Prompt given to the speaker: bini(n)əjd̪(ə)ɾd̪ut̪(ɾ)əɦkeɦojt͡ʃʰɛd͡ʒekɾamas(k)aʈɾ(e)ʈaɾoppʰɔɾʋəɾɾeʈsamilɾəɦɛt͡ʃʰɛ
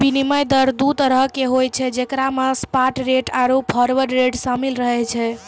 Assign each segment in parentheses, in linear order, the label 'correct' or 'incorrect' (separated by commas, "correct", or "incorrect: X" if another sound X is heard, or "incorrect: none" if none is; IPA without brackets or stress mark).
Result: incorrect: m, correct, correct, incorrect: p, correct